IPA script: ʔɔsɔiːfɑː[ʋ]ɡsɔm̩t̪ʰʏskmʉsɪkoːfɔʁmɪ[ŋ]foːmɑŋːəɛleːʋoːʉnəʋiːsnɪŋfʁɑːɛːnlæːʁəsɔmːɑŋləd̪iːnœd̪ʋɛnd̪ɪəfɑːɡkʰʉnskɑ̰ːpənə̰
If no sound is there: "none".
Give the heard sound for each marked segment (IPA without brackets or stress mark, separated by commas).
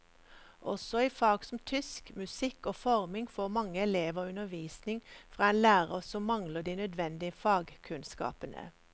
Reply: none, ŋ